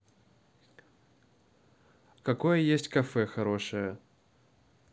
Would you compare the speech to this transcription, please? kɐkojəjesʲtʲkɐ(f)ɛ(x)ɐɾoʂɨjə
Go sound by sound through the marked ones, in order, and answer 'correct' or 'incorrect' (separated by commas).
correct, correct